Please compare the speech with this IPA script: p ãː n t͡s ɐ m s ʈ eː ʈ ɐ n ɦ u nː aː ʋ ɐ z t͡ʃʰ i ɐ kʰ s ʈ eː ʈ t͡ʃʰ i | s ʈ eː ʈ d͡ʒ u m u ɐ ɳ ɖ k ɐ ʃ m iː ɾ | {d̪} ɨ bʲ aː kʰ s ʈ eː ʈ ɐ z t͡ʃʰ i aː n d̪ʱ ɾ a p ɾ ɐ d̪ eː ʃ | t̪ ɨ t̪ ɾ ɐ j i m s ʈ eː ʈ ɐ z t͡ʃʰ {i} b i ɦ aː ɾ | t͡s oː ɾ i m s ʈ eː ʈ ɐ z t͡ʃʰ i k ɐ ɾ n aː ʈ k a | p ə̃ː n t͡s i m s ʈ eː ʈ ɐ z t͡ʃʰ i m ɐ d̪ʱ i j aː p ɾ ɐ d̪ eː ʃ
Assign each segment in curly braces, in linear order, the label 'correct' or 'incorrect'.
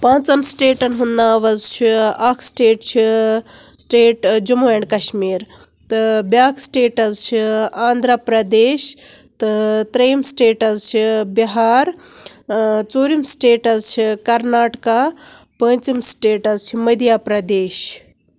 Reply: incorrect: t̪, correct

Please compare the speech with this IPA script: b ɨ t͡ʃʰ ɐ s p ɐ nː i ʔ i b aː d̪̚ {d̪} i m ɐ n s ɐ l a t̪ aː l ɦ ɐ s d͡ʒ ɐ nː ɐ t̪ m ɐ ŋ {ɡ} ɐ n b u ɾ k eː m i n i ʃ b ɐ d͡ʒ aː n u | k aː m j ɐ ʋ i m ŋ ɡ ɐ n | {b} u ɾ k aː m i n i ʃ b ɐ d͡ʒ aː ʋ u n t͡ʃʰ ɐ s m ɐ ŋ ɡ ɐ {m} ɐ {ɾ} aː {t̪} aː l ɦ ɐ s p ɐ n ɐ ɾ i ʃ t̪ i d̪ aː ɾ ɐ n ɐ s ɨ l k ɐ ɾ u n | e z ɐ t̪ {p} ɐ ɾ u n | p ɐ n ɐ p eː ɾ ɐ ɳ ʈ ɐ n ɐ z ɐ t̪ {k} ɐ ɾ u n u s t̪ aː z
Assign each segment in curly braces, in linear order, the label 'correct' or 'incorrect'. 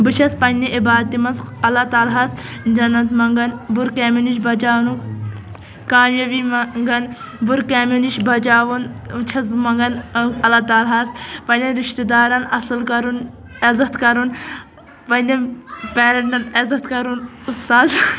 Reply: incorrect: t̪, correct, correct, incorrect: n, incorrect: l, correct, incorrect: k, correct

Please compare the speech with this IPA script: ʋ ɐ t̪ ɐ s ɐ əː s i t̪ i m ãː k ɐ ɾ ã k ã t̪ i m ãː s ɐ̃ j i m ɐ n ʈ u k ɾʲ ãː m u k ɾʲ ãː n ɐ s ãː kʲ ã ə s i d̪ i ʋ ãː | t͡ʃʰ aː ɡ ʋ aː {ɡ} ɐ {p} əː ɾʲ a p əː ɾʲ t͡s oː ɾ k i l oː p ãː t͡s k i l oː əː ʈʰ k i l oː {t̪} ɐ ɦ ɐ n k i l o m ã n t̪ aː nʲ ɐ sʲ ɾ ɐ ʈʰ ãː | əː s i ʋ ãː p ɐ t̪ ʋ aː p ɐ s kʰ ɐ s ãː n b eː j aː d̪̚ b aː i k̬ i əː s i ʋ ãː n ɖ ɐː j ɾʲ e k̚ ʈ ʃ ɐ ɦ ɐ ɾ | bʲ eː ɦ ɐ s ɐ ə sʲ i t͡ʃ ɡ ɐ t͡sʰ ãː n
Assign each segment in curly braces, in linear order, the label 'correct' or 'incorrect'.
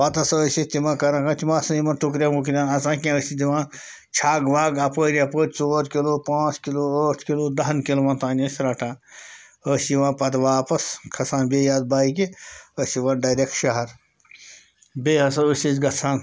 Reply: correct, correct, incorrect: d̪

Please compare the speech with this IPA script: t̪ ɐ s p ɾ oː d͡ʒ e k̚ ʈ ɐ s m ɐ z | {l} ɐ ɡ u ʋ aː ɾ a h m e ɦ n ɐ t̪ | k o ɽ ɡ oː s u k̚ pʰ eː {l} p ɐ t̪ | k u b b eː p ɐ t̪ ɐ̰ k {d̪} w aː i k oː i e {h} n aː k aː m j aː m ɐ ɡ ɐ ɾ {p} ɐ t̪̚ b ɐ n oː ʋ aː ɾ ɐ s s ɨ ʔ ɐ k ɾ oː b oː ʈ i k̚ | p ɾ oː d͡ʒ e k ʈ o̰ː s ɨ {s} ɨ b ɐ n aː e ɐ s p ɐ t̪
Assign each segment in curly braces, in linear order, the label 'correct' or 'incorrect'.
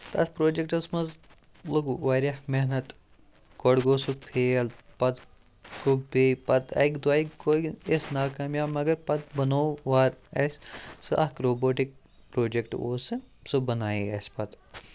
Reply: correct, correct, correct, incorrect: s, correct, correct

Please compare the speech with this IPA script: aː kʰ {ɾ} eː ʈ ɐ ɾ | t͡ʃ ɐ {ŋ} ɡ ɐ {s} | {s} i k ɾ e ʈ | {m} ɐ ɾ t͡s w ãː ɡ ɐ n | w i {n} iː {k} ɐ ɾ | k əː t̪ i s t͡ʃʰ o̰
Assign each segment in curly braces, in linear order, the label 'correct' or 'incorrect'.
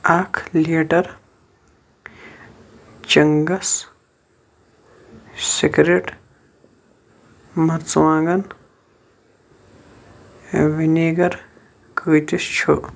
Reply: incorrect: l, correct, correct, correct, correct, correct, incorrect: ɡ

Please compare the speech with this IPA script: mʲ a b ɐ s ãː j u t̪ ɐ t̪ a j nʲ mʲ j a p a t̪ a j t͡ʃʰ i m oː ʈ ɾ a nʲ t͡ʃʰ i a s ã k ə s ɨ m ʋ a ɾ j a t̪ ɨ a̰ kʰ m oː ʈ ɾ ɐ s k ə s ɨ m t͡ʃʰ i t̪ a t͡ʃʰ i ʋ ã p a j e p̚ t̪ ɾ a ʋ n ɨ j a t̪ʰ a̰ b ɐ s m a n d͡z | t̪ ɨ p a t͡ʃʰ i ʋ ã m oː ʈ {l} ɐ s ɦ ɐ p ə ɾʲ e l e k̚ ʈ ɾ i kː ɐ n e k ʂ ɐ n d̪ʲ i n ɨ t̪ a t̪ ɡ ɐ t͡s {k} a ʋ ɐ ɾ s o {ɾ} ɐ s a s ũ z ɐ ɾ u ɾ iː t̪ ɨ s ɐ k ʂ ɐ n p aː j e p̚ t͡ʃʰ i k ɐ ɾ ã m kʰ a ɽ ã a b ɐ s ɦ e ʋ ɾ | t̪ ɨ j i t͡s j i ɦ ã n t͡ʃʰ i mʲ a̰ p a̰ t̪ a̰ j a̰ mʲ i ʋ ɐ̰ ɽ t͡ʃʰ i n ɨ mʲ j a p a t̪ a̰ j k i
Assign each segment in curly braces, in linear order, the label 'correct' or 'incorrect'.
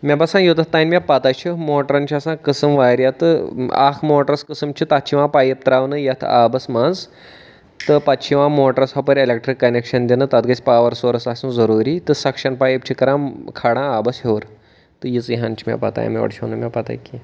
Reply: incorrect: ɾ, incorrect: p, correct

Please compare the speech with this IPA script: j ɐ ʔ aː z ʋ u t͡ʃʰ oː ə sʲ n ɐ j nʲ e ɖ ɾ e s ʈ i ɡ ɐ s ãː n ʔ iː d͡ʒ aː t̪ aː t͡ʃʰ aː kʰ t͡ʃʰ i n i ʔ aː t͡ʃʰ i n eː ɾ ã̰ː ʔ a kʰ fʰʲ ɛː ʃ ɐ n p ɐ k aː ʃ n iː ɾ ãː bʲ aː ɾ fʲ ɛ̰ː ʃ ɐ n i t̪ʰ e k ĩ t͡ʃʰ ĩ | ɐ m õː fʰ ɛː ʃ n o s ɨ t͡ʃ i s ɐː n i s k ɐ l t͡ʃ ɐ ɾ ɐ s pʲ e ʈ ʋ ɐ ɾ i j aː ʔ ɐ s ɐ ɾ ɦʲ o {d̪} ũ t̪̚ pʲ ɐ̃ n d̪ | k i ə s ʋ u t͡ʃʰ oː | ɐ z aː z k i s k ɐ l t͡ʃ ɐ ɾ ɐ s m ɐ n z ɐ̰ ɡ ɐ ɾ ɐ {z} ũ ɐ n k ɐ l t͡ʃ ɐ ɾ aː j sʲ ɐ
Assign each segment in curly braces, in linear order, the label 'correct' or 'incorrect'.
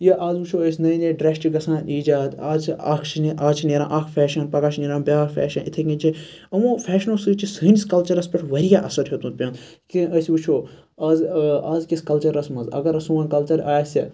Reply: incorrect: t̪, incorrect: s

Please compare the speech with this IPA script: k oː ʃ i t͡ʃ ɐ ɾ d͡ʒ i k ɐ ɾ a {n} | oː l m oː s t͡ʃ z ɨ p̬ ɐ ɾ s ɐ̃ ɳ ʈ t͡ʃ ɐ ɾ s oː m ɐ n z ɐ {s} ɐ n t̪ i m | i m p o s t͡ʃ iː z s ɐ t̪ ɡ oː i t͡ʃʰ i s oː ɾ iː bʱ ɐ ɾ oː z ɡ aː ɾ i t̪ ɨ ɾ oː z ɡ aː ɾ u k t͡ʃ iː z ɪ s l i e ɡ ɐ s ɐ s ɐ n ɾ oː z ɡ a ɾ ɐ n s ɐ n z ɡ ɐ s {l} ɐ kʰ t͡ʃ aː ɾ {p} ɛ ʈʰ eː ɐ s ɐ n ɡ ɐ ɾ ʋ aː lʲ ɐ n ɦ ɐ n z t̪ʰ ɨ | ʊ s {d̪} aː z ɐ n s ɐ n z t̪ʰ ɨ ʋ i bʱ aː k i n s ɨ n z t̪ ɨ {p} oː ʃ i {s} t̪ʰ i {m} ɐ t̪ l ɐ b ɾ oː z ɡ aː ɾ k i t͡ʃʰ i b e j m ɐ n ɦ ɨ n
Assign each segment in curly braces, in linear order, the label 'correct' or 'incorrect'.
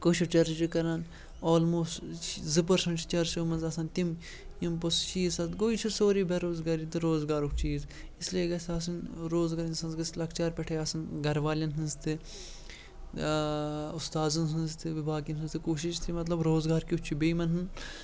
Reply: correct, correct, correct, correct, incorrect: t̪, incorrect: k, incorrect: ʃ, correct

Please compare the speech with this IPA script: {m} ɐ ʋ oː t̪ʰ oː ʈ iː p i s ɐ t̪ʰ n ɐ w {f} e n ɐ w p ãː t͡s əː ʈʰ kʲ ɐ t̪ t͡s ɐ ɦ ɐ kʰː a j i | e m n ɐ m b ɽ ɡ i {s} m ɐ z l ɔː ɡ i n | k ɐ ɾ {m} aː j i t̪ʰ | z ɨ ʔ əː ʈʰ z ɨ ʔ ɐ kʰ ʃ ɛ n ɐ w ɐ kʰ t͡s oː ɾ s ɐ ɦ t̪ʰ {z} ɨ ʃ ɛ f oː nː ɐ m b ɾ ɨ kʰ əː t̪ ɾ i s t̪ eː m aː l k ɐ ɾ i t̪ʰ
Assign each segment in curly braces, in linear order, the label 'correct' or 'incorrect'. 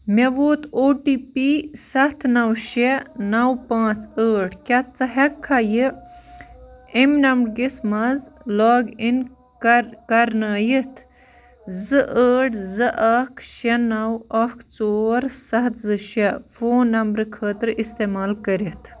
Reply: correct, incorrect: ʃ, correct, incorrect: n, correct

